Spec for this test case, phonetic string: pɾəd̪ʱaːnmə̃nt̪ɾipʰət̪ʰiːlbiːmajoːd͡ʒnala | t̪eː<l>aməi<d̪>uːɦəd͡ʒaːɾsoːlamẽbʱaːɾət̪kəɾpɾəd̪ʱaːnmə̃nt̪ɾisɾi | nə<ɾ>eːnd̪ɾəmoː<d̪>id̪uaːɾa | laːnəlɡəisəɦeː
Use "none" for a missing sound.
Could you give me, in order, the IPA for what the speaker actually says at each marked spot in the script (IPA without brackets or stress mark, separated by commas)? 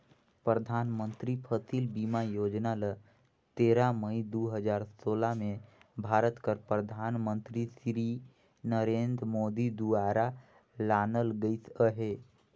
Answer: ɾ, d̪, ɾ, d̪